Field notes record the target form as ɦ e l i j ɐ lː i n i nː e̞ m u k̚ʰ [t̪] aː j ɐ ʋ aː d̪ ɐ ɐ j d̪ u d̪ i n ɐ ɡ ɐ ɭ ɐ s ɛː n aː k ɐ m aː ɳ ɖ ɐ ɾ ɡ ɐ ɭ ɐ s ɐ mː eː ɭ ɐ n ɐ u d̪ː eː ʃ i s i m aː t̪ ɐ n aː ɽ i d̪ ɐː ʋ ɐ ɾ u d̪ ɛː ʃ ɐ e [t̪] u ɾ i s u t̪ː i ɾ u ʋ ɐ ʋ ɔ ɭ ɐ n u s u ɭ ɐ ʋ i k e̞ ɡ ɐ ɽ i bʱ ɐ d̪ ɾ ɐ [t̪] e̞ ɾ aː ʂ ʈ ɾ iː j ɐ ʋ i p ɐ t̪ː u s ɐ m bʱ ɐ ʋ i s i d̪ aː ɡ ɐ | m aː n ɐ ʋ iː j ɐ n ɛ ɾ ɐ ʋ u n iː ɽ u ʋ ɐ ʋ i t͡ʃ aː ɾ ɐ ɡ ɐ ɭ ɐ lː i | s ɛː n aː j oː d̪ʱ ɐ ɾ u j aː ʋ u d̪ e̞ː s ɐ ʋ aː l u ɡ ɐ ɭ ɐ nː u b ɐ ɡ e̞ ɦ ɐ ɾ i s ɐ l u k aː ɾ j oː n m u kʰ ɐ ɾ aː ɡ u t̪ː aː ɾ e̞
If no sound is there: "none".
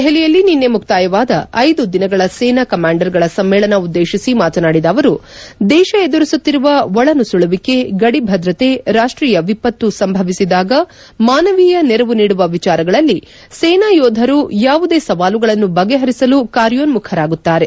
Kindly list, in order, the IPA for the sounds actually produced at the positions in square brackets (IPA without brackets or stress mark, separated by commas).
t̪, d̪, t̪